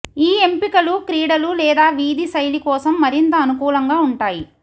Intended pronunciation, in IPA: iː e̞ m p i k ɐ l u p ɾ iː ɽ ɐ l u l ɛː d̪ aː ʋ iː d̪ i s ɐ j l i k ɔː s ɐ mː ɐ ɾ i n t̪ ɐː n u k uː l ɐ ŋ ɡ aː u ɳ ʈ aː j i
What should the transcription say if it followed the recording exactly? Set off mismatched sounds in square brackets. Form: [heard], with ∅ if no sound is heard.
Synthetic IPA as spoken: iː e̞ m p i k ɐ l u [k] ɾ iː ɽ ɐ l u l ɛː d̪ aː ʋ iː d̪ i s ɐ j l i k ɔː s ɐ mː ɐ ɾ i n t̪ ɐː n u k uː l ɐ ŋ ɡ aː u ɳ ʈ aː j i